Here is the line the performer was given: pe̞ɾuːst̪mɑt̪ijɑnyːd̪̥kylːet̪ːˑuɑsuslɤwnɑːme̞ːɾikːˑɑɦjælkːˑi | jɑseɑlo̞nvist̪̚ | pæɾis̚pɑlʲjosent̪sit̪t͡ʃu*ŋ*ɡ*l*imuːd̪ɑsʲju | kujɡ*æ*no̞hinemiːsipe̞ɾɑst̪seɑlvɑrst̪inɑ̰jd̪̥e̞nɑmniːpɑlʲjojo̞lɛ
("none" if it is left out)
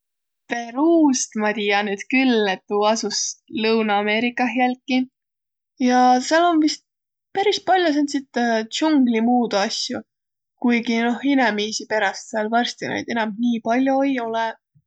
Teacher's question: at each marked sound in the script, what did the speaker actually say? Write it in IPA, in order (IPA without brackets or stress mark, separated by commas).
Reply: ŋ, l, i